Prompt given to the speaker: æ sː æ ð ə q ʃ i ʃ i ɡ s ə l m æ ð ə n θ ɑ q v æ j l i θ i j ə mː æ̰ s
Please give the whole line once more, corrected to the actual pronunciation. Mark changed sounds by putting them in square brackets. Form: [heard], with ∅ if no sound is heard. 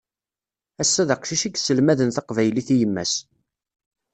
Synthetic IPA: æ sː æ ð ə q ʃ i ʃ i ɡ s ə l m æ ð ə n θ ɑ q v æ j l i θ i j ə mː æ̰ s